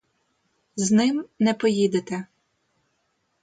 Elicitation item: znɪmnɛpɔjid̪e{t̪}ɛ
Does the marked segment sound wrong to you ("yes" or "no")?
no